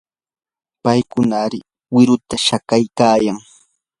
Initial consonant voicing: voiceless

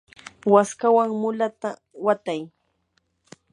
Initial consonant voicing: voiced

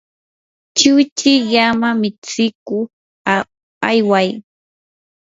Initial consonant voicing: voiceless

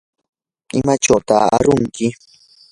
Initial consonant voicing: voiced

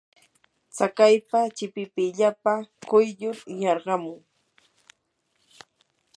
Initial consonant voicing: voiceless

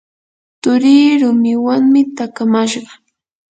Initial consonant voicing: voiceless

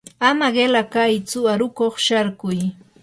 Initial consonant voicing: voiced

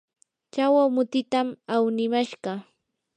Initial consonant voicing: voiceless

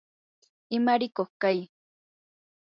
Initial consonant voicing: voiced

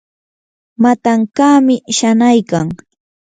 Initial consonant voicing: voiced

